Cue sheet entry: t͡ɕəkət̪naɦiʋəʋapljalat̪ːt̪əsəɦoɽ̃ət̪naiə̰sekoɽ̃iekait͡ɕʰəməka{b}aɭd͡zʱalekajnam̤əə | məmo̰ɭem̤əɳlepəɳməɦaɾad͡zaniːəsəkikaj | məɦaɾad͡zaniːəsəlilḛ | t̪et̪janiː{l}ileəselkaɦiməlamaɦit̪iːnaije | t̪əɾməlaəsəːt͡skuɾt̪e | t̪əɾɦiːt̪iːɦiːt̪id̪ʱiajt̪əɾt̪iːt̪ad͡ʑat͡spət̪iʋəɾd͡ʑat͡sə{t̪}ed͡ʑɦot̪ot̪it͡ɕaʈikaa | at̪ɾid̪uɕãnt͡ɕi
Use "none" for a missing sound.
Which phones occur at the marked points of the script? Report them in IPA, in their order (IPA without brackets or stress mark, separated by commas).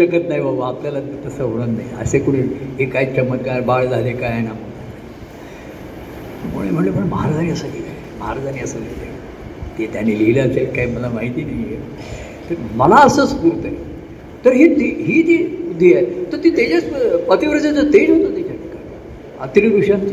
b, l, t̪